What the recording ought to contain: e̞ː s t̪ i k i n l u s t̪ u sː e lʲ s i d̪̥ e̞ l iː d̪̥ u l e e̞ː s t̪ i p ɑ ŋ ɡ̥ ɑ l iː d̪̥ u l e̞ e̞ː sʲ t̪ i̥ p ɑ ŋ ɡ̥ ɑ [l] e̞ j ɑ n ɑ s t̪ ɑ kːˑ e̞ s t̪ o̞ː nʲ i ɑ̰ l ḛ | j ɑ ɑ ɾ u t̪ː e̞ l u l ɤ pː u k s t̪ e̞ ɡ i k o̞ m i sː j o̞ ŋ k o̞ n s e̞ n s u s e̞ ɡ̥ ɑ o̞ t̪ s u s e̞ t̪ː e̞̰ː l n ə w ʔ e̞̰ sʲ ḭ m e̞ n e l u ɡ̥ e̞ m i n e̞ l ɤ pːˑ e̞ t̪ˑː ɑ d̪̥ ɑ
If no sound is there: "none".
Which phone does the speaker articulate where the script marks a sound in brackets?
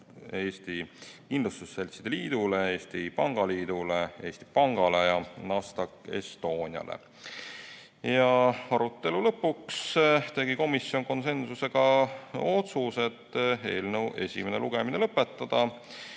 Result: l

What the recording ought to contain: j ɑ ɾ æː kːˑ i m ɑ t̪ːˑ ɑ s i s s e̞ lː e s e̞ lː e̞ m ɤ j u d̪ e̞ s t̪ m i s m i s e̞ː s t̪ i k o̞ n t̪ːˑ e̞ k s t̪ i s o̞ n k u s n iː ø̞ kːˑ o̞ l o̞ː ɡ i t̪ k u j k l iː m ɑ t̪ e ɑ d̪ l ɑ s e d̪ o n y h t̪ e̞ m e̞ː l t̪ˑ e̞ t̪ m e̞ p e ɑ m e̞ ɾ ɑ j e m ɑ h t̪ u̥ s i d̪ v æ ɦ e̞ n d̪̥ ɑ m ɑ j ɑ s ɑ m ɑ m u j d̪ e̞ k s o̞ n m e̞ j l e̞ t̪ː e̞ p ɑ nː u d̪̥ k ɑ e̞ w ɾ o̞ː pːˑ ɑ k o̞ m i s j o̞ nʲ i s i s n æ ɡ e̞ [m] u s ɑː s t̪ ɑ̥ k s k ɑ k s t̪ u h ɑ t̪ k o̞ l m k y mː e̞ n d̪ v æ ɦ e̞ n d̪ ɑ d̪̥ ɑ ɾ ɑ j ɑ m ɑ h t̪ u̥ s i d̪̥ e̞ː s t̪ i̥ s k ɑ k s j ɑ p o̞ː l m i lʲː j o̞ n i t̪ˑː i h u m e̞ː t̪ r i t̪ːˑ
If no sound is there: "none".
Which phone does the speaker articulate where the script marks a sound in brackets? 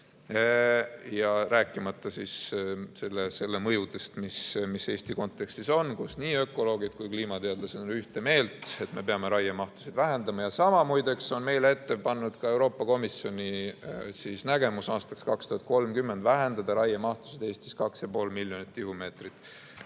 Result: m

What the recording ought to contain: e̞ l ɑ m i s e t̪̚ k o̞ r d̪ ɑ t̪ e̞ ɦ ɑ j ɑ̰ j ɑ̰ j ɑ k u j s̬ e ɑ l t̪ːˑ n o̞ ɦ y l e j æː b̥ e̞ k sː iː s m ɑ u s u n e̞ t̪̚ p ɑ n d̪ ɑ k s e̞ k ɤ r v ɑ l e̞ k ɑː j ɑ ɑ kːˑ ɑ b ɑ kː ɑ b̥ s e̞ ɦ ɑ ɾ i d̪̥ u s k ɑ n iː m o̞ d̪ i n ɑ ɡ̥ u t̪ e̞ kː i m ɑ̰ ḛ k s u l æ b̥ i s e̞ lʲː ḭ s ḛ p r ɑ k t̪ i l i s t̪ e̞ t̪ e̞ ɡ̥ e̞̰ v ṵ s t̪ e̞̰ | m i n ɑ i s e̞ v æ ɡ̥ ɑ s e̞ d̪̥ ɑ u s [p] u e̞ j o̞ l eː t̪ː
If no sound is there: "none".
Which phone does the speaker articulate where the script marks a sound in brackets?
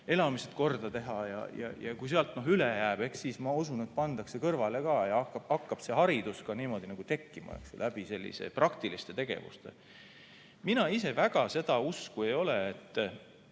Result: k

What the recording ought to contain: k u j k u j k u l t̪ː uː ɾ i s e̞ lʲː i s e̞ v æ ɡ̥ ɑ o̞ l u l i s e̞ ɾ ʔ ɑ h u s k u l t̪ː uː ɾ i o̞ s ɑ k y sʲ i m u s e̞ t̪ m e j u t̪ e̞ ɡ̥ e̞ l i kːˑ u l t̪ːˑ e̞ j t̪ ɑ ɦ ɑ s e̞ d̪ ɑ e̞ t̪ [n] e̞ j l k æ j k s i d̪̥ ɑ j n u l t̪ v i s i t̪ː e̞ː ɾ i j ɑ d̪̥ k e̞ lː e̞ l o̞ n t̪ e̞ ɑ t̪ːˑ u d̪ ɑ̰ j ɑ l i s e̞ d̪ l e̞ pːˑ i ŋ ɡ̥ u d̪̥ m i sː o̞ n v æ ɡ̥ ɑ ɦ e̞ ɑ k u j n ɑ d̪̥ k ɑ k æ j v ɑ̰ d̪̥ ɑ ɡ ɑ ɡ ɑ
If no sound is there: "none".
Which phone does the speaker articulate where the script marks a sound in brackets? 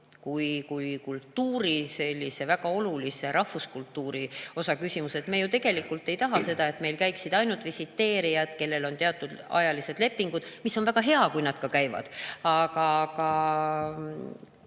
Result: m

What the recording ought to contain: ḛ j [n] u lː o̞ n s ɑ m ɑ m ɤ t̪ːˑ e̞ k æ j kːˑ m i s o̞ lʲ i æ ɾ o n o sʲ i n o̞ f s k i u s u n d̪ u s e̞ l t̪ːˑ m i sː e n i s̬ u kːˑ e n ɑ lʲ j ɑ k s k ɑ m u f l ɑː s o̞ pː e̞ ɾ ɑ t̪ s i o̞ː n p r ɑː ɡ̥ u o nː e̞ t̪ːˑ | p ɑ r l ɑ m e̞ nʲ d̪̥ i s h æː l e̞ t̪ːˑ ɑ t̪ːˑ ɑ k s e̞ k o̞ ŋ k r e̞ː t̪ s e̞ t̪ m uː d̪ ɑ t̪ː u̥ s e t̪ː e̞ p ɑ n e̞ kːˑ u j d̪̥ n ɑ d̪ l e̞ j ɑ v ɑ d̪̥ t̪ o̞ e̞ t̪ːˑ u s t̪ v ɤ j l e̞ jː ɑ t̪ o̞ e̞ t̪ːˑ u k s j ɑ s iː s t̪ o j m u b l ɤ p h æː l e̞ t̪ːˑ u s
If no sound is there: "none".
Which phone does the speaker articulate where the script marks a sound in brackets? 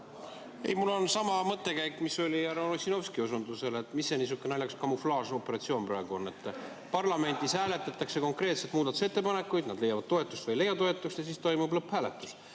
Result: m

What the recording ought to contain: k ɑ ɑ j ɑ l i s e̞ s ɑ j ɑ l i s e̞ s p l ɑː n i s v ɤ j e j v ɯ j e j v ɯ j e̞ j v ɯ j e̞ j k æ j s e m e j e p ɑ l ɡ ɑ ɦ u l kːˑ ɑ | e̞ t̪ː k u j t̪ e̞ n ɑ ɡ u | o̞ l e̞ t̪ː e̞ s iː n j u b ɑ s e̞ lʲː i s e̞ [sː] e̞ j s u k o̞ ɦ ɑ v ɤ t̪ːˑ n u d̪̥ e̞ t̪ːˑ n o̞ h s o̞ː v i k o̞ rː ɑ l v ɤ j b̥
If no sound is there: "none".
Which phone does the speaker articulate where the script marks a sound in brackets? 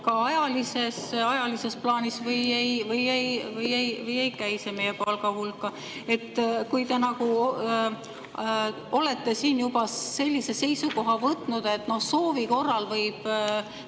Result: s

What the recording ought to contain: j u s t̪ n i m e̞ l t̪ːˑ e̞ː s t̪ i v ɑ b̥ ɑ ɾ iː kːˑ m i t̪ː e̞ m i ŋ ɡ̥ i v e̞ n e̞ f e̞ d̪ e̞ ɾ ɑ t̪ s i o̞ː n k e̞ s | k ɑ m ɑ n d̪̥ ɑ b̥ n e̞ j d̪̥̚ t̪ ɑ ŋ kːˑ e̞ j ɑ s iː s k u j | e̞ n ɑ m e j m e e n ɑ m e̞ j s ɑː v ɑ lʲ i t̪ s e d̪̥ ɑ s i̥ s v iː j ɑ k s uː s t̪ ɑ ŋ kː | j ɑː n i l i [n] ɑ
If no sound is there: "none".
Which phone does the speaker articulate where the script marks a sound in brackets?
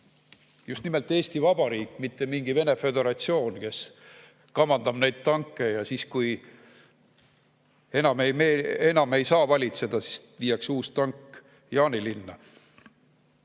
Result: nː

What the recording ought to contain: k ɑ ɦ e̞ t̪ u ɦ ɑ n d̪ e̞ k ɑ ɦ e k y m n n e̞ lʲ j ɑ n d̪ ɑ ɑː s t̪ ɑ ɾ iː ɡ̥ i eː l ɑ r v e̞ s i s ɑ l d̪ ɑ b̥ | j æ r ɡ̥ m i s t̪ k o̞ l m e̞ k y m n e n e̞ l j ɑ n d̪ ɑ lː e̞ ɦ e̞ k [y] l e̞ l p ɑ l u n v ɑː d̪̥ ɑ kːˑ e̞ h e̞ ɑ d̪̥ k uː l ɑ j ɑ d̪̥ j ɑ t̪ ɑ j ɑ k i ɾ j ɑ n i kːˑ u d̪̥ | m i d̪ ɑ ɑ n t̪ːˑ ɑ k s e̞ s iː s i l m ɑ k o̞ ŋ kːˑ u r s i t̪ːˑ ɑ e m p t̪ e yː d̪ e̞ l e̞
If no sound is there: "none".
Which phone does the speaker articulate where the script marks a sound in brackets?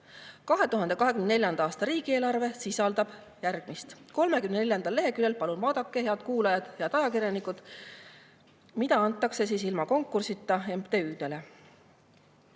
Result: y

